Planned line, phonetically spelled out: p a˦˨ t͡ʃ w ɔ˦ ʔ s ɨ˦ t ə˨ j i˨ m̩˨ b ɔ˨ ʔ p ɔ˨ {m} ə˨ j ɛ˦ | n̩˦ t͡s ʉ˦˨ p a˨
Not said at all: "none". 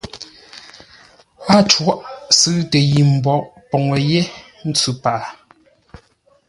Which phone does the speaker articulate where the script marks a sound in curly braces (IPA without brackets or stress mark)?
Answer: ŋ